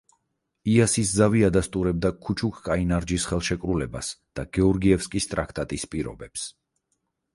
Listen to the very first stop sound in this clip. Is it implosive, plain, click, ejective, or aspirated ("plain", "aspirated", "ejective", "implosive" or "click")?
plain